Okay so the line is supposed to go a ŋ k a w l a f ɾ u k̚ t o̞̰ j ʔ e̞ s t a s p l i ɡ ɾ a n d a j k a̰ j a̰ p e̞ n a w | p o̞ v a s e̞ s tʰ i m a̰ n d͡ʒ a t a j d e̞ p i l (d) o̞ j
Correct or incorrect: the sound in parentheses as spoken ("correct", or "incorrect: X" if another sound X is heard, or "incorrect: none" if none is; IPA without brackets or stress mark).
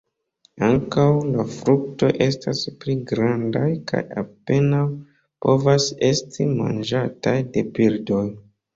correct